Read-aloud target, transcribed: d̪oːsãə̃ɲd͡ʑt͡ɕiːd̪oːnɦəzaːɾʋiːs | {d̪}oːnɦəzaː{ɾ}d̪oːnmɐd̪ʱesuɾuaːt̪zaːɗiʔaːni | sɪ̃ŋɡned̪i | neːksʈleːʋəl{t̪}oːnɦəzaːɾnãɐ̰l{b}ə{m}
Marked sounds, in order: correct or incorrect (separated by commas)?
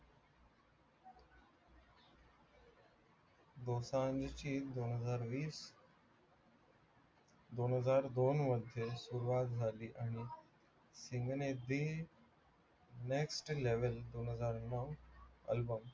correct, correct, incorrect, correct, correct